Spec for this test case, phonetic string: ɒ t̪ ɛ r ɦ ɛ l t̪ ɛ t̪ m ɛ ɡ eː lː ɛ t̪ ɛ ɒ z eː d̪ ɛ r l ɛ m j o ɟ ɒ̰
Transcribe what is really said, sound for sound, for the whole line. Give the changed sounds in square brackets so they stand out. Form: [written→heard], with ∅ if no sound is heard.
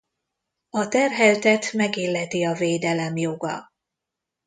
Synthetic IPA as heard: ɒ t̪ ɛ r ɦ ɛ l t̪ ɛ t̪ m ɛ ɡ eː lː ɛ t̪ [ɛ→i] ɒ [z→v] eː d̪ ɛ [r→∅] l ɛ m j o [ɟ→ɡ] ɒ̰